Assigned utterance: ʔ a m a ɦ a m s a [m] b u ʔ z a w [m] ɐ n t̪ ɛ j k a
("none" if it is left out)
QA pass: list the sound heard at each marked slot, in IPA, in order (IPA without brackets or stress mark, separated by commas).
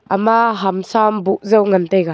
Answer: m, ŋ